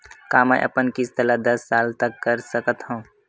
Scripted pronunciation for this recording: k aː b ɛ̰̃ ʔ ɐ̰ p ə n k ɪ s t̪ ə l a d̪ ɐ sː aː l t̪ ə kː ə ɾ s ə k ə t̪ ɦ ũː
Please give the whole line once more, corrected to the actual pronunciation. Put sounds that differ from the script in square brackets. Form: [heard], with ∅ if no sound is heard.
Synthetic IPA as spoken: k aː [m] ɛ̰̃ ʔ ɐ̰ p ə n k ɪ s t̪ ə l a d̪ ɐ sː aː l t̪ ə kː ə ɾ s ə k ə t̪ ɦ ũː